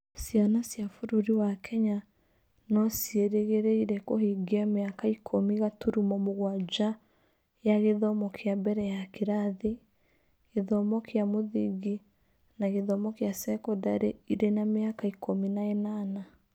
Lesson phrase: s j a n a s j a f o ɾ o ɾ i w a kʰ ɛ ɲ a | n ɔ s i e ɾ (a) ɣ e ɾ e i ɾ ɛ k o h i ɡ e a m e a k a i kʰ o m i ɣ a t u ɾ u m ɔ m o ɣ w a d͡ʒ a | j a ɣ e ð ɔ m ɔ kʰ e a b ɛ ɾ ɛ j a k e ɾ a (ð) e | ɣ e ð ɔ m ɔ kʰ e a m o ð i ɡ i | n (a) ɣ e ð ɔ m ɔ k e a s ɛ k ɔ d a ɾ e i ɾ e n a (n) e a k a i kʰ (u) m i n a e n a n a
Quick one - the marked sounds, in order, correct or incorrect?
incorrect: e, correct, correct, incorrect: m, incorrect: o

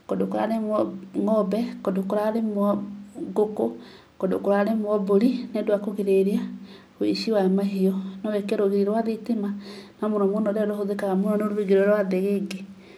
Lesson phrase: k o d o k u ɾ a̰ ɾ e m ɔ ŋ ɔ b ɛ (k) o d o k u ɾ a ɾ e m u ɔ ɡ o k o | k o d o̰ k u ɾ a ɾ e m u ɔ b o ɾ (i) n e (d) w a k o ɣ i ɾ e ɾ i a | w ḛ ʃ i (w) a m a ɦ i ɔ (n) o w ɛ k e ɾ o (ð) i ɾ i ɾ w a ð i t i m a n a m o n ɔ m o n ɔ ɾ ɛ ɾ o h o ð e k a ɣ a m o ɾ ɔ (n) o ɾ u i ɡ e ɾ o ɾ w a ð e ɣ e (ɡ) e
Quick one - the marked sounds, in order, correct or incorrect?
correct, correct, correct, correct, correct, incorrect: ɣ, correct, correct

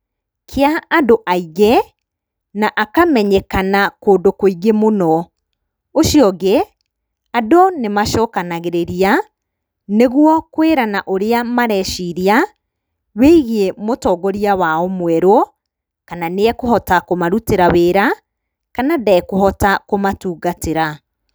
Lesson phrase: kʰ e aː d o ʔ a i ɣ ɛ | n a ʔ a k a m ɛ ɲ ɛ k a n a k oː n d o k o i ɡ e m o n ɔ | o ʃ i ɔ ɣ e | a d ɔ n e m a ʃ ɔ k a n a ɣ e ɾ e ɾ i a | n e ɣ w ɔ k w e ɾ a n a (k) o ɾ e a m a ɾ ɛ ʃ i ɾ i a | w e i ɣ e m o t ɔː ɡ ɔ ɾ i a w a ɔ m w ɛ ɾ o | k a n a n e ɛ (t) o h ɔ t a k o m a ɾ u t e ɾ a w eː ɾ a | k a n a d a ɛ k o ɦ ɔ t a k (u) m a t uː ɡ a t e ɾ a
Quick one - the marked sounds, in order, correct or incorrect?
incorrect: ʔ, incorrect: k, incorrect: o

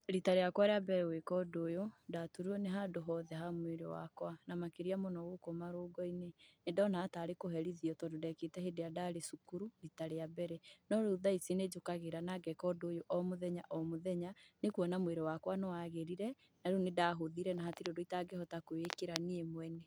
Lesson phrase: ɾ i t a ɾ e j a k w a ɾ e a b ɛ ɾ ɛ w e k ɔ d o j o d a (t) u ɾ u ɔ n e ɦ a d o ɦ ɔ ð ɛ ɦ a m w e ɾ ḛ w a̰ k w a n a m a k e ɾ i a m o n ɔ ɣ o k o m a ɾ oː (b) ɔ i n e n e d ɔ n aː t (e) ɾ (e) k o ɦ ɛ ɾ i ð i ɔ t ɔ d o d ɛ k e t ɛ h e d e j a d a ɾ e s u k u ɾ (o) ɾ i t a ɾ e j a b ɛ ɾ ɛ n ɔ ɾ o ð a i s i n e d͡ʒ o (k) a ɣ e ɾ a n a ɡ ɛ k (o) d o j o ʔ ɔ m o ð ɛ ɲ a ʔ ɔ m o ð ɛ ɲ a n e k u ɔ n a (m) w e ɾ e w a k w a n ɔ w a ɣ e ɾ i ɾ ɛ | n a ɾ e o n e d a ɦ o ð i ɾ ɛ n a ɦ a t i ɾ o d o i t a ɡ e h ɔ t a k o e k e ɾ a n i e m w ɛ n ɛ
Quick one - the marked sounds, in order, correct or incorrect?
correct, incorrect: ɡ, incorrect: a, correct, incorrect: u, correct, incorrect: ɔ, correct

